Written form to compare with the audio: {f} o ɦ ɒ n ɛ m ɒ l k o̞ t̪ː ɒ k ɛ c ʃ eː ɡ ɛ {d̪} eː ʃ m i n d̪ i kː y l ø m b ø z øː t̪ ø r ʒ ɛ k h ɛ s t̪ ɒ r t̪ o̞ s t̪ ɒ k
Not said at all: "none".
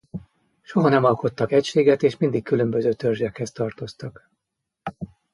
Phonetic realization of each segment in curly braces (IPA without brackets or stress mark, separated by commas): ʃ, t̪